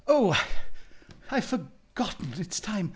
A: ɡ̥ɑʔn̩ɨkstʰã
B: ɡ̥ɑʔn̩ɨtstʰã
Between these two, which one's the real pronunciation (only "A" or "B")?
B